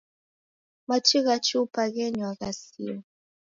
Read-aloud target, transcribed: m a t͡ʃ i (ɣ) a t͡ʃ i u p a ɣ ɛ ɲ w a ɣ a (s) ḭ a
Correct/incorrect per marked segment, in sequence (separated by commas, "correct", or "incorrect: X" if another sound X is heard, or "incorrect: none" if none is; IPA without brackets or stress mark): correct, correct